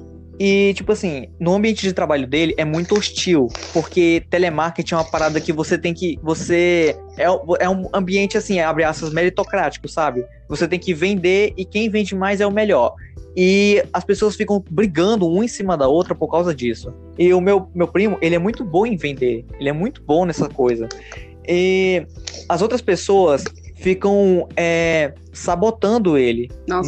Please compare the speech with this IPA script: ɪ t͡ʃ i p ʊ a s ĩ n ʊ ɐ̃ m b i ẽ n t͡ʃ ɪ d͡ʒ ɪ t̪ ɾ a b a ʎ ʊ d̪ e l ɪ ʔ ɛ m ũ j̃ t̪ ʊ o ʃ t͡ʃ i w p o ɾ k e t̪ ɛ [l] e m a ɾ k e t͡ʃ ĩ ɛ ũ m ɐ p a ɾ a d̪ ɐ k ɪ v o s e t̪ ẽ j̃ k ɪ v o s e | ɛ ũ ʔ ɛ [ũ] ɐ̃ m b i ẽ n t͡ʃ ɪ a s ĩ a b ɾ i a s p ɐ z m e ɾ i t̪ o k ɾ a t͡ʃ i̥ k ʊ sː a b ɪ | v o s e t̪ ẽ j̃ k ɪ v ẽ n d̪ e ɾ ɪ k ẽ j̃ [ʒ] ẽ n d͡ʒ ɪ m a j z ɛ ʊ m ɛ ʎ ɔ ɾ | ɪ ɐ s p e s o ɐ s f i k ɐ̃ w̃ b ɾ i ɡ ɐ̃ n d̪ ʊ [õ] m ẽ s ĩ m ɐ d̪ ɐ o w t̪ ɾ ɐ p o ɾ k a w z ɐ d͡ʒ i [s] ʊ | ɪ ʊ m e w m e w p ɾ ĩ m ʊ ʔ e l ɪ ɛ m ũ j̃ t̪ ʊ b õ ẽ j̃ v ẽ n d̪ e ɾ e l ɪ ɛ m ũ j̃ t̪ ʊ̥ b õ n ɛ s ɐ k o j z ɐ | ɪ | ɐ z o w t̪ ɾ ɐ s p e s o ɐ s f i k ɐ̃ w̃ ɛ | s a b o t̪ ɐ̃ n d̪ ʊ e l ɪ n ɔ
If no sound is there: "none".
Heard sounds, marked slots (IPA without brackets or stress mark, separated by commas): l, ũ, v, ũ, s